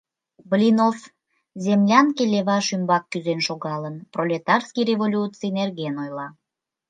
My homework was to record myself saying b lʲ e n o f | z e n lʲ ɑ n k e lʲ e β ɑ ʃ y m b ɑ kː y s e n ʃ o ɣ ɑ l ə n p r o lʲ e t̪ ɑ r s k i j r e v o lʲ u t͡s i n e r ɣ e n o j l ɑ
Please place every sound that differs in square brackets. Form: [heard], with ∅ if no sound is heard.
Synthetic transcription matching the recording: b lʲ [i] n o f | z e [m] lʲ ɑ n k e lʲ e β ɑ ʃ y m b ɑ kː y [z] e n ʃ o ɣ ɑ l ə n p r o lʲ e t̪ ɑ r s k i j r e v o lʲ u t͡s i n e r ɣ e n o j l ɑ